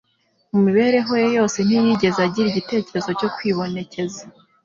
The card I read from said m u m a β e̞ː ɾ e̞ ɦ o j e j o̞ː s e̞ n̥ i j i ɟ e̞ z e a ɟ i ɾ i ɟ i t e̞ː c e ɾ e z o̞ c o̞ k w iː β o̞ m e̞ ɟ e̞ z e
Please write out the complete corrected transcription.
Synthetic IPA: m u m i β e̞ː ɾ e̞ ɦ o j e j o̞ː s e̞ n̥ i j i ɟ e̞ z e a ɟ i ɾ i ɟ i t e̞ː c e ɾ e z o̞ c o̞ k w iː β o̞ n e̞ c e̞ z a